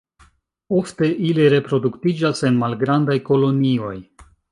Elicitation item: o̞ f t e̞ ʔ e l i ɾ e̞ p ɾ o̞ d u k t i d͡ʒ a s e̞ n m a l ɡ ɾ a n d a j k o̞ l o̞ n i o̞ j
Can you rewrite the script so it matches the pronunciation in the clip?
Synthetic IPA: o̞ f t e̞ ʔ i l i ɾ e̞ p ɾ o̞ d u k t i d͡ʒ a s e̞ n m a l ɡ ɾ a n d a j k o̞ l o̞ n i o̞ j

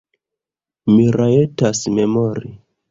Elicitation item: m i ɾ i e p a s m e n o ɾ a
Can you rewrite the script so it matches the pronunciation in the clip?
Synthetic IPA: m i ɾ a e t a s m e m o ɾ i

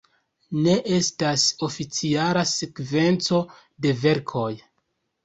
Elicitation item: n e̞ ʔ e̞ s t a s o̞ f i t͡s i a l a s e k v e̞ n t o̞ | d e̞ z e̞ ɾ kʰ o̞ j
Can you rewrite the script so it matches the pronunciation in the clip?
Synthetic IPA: n e̞ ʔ e̞ s t a s o̞ f i t͡s i a l a s e k v e̞ n t͡s o̞ | d e̞ v e̞ ɾ kʰ o̞ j

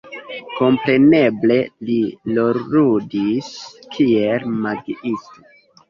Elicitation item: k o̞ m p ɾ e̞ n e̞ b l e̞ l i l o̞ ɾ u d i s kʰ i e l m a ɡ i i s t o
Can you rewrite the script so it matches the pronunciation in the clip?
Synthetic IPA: k o̞ m p ɾ e̞ n e̞ b l e̞ l i l o̞ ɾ u d i s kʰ i e l m a ɡ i i s t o

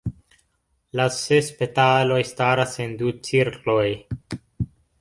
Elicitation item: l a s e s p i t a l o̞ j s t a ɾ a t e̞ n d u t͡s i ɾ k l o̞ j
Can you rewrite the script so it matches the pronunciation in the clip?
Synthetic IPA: l a s e s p e t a l o̞ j s t a ɾ a s e̞ n d u t͡s i ɾ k l o̞ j

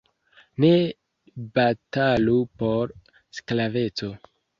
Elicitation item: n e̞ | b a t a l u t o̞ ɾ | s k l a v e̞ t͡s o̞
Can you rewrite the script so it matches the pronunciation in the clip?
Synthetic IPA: n e̞ | b a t a l u p o̞ ɾ | s k l a v e̞ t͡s o̞

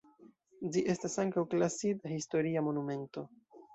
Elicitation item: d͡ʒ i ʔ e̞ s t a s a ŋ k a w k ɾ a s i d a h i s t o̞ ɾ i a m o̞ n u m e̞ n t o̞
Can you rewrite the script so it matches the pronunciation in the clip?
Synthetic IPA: d͡ʒ i ʔ e̞ s t a s a ŋ k a w k l a s i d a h i s t o̞ ɾ i a m o̞ n u m e̞ n t o̞

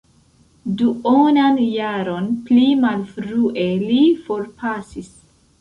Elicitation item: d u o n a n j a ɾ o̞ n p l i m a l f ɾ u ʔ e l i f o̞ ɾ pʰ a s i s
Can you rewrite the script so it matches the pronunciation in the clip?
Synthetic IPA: d u o n a n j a ɾ o̞ n p l i m a l f ɾ u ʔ e l i f o̞ ɾ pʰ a s i s

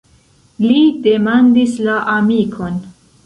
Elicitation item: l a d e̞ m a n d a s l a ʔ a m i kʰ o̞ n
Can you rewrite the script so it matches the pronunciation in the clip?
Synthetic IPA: l i d e̞ m a n d i s l a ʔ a m i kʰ o̞ n

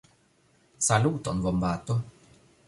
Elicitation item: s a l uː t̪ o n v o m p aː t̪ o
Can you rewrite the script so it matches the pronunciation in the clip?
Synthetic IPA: s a l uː t̪ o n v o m b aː t̪ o

